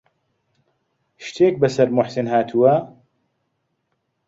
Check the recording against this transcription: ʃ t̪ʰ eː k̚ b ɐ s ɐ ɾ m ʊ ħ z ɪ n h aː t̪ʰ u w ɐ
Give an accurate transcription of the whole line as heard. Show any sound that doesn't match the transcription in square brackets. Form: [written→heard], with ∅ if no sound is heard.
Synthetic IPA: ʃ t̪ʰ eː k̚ b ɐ s ɐ ɾ m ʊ ħ [z→s] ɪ n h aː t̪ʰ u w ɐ